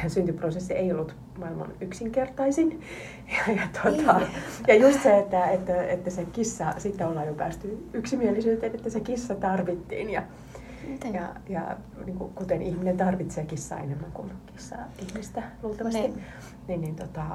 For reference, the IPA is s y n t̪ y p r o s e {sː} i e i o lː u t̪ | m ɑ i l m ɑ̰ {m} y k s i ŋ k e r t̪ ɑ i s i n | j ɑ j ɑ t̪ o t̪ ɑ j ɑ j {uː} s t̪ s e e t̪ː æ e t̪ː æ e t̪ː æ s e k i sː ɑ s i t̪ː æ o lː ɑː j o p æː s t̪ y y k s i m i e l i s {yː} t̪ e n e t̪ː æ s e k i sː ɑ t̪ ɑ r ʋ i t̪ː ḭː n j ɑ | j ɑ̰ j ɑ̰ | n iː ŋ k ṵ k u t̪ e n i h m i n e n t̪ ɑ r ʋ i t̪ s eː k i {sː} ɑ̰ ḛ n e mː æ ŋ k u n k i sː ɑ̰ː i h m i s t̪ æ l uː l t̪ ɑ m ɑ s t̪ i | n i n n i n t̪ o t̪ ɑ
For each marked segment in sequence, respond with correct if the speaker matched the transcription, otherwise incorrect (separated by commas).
correct, incorrect, incorrect, correct, correct